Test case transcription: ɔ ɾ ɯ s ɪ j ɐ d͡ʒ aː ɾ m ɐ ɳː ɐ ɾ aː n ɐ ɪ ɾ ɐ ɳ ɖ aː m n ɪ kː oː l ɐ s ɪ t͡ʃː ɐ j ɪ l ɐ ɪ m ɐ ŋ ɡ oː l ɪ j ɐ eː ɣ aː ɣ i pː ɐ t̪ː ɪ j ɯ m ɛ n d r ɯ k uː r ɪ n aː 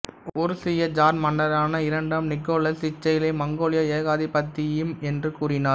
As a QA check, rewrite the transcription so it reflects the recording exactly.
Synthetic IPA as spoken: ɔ ɾ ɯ s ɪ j ɐ d͡ʒ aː ɾ m ɐ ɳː ɐ ɾ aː n ɐ ɪ ɾ ɐ ɳ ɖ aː m n ɪ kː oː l ɐ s ɪ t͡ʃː ɐ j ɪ l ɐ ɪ m ɐ ŋ ɡ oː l ɪ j ɐ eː ɣ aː ð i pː ɐ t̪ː ɪ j ɯ m ɛ n d r ɯ k uː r ɪ n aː